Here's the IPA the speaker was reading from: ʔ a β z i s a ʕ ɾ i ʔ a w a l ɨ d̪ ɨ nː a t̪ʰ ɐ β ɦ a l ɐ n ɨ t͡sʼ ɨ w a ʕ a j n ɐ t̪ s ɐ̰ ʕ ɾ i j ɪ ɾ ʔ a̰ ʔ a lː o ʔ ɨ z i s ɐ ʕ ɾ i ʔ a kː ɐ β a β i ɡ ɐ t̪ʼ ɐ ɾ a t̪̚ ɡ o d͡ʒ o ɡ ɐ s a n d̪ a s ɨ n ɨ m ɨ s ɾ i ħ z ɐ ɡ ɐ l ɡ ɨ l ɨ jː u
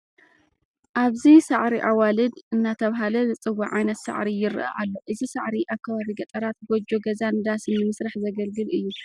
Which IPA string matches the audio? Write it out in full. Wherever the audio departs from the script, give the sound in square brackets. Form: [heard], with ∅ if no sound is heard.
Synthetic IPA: ʔ a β z i s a ʕ ɾ i ʔ a w a l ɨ d̪ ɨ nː a t̪ʰ ɐ β ɦ a l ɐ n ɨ t͡sʼ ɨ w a ʕ a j n ɐ t̪ s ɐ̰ ʕ ɾ i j ɪ ɾ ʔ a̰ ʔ a lː o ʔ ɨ z i s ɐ ʕ ɾ i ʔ a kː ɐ β a β i ɡ ɐ t̪ʼ ɐ ɾ a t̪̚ ɡ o d͡ʒ o ɡ ɐ [z] a n d̪ a s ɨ n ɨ m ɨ s ɾ [a] ħ z ɐ ɡ ɐ l ɡ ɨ l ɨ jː u